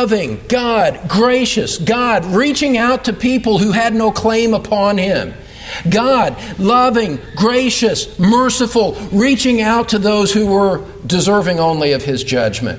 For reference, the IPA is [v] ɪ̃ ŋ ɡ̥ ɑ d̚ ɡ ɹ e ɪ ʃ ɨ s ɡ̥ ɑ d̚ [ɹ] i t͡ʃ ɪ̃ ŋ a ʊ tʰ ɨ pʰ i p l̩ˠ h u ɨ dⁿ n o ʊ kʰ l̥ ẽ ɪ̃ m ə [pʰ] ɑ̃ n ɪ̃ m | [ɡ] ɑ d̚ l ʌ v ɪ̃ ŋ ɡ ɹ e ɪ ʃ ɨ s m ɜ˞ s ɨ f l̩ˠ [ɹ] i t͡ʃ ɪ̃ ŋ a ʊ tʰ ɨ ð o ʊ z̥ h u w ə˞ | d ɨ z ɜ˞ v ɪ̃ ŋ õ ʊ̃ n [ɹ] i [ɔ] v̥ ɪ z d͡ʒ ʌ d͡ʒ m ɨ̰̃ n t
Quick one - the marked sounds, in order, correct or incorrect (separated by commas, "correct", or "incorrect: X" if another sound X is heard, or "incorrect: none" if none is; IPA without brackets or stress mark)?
correct, correct, correct, correct, correct, incorrect: l, incorrect: ʌ